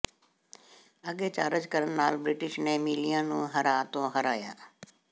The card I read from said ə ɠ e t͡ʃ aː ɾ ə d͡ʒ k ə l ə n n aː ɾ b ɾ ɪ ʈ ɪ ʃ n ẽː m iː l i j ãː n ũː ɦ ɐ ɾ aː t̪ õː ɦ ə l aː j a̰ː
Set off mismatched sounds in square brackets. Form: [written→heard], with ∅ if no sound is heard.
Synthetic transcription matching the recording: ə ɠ e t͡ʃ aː ɾ ə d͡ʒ k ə [l→ɾ] ə n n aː [ɾ→l] b ɾ ɪ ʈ ɪ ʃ n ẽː m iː l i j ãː n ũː ɦ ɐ ɾ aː t̪ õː ɦ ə [l→ɾ] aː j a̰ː